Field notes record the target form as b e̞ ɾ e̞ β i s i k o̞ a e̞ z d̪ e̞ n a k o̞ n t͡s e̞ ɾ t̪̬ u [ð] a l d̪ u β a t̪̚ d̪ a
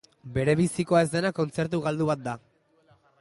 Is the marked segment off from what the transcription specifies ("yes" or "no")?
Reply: yes